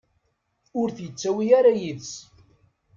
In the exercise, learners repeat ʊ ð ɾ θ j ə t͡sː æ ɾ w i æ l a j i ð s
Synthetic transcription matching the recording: ʊ ɾ θ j ə t͡sː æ w i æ ɾ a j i ð s